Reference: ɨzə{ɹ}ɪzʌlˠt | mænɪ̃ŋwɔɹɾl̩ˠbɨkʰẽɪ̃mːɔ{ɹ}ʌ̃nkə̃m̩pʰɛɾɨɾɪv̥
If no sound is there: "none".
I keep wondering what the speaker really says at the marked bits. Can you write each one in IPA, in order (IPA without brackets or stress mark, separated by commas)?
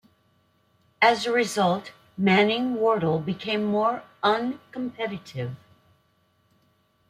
ɹ, ɹ